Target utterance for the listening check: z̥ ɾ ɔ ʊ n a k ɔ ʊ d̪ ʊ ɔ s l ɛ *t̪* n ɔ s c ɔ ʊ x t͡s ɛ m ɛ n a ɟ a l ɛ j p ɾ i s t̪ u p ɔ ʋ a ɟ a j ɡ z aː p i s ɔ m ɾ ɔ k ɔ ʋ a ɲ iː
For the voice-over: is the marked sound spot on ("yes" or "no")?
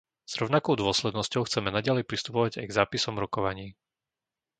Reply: no